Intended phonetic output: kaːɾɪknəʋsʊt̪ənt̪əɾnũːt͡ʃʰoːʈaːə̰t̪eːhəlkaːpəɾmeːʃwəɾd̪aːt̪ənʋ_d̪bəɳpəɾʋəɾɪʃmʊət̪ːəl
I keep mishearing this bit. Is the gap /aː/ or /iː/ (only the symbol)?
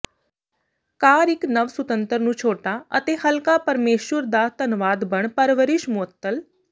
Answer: aː